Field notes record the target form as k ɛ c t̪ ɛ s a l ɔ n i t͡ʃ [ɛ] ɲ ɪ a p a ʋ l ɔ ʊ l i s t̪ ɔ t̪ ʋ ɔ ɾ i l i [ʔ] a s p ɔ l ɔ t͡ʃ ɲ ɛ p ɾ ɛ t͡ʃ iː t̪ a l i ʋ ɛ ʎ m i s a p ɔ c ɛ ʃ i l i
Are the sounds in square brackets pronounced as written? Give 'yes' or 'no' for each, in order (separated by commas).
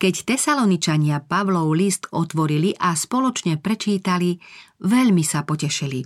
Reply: no, yes